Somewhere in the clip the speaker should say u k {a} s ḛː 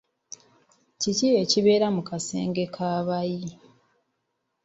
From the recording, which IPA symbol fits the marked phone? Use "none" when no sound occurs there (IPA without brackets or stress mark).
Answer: a